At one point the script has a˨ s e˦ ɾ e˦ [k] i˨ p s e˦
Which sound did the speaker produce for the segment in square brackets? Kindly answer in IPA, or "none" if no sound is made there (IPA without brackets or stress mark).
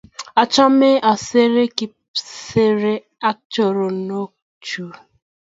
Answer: k